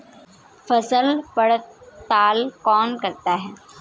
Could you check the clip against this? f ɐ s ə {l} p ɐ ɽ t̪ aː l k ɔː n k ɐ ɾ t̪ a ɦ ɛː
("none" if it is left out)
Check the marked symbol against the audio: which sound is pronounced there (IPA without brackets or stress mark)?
l